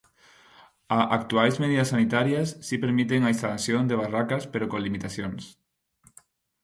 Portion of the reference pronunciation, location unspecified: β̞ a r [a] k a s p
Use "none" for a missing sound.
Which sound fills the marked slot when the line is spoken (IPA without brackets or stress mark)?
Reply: a